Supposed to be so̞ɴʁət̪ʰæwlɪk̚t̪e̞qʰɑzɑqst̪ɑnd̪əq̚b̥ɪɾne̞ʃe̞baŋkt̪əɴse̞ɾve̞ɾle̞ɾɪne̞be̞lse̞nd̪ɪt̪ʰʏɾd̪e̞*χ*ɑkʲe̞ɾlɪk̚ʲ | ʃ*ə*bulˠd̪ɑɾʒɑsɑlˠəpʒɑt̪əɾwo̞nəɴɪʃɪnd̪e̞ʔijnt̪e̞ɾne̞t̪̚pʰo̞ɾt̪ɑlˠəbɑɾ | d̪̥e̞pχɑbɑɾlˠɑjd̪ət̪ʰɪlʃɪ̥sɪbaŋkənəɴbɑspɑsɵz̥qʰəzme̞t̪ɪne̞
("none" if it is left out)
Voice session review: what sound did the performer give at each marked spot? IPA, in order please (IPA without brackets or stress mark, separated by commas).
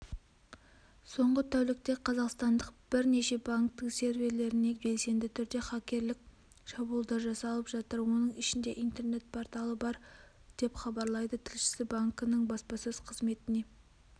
χ, ɑ